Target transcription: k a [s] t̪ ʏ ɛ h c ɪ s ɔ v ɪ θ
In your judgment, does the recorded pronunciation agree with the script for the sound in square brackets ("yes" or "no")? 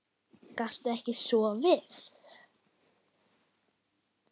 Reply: yes